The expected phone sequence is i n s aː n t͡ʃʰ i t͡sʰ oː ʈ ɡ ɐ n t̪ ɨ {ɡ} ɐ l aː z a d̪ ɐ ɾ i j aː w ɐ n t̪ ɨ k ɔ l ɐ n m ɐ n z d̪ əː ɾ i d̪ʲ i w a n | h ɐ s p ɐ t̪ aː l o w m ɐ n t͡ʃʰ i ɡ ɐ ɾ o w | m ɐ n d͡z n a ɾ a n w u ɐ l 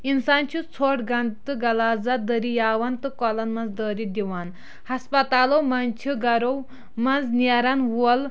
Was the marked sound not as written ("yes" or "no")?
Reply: no